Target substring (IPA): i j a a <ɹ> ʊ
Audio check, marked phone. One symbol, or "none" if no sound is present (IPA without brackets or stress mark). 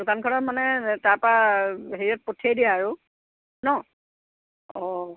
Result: ɹ